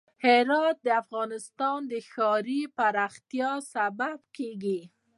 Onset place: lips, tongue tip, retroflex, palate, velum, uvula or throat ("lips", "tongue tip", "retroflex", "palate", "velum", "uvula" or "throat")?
throat